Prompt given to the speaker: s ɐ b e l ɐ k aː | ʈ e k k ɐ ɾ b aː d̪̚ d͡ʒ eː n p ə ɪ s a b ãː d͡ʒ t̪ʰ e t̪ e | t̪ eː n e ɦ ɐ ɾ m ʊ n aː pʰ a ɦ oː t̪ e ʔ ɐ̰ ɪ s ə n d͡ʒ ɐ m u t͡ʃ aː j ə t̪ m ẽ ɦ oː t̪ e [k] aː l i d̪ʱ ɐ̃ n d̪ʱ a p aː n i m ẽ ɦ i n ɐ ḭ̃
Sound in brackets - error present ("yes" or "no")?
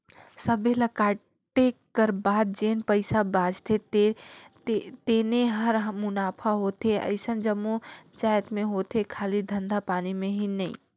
yes